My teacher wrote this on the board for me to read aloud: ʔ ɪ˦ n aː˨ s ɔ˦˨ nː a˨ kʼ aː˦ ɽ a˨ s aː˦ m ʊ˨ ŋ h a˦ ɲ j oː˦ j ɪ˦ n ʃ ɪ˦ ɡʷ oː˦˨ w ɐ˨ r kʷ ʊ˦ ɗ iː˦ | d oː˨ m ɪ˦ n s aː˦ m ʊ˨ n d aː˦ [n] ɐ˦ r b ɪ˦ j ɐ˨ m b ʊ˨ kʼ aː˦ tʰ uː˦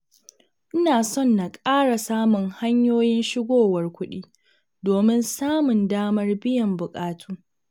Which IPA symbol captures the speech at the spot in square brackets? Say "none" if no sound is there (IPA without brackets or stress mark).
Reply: m